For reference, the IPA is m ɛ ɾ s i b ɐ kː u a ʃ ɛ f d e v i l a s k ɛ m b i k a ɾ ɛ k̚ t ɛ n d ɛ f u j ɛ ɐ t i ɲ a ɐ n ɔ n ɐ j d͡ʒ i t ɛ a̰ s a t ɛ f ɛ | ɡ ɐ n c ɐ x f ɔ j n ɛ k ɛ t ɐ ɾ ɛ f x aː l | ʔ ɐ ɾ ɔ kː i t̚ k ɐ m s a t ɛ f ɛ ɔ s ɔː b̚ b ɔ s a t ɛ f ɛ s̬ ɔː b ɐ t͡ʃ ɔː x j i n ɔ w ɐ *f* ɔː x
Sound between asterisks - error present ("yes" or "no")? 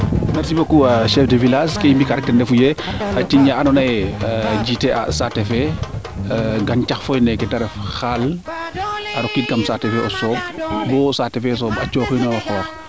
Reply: yes